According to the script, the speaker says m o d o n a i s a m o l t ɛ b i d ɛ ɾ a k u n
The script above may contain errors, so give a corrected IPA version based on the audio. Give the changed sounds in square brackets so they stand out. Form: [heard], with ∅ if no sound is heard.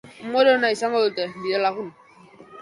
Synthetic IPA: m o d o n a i s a [ŋ] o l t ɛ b i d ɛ [l] a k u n